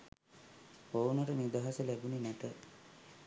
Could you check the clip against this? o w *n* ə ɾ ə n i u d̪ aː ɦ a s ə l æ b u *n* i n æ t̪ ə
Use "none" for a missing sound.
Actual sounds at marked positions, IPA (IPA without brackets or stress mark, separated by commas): n, n